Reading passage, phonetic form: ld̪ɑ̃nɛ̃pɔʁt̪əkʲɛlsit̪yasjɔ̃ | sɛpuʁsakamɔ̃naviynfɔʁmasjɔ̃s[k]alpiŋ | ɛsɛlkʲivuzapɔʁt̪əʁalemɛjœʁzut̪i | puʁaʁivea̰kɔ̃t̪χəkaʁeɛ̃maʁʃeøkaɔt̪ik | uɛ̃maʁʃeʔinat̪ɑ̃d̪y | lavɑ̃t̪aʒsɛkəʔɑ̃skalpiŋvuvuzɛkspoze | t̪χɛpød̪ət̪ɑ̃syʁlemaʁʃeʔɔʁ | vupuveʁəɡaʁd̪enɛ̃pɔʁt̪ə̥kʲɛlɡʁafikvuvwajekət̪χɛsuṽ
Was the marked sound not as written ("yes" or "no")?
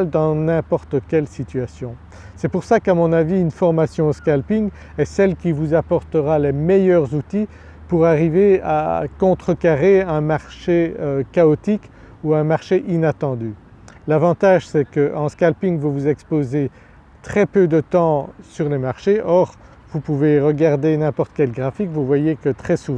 no